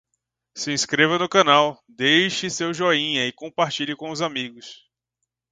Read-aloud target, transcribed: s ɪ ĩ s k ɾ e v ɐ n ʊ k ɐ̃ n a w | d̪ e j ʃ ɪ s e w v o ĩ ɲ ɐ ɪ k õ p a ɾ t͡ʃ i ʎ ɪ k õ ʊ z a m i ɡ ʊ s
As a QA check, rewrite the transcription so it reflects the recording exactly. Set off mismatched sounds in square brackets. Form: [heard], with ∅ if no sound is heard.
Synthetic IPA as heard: s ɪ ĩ s k ɾ e v ɐ n ʊ k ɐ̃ n a w | d̪ e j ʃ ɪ s e w [ʒ] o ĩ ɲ ɐ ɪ k õ p a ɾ t͡ʃ i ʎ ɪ k õ ʊ z a m i ɡ ʊ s